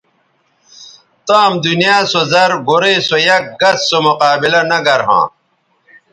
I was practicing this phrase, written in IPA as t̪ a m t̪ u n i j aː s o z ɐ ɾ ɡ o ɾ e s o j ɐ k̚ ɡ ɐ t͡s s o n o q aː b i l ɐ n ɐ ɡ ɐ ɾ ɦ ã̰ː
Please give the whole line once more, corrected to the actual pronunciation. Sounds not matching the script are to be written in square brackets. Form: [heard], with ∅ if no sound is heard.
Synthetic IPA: t̪ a m [d̪] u n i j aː s o z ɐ ɾ ɡ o ɾ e s o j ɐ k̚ ɡ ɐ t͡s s o [m] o q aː b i l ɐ n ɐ ɡ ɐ ɾ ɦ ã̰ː